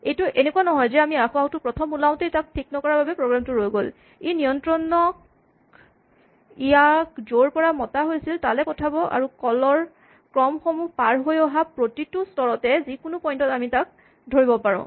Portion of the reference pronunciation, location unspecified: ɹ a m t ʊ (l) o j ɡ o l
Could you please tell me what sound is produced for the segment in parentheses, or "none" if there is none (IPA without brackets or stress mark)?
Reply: ɹ